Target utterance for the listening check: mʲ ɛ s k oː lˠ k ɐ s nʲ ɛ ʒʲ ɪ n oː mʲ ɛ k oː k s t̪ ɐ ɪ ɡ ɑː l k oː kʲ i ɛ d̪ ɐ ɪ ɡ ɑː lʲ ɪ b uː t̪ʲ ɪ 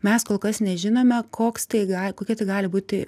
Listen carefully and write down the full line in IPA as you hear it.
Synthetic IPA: mʲ ɛ s k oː lˠ k ɐ s nʲ ɛ ʒʲ ɪ n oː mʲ ɛ k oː k s t̪ ɐ ɪ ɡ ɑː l k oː kʲ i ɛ t̪ ɐ ɪ ɡ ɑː lʲ ɪ b uː t̪ʲ ɪ